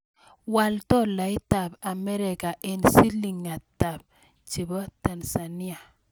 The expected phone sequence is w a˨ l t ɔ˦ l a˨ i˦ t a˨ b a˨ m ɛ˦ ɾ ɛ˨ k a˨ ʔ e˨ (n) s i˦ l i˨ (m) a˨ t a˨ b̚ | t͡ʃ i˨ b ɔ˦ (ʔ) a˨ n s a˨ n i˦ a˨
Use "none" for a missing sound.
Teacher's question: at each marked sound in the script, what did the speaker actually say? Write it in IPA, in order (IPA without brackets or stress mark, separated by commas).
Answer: n, ŋ, t